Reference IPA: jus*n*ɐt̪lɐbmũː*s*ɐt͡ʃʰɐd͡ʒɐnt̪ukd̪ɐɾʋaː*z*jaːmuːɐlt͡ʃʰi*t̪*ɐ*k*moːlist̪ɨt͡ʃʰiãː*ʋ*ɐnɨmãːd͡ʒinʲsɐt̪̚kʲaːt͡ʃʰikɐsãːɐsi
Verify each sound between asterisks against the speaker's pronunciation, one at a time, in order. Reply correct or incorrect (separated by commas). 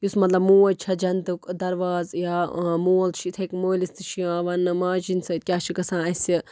incorrect, incorrect, correct, incorrect, correct, correct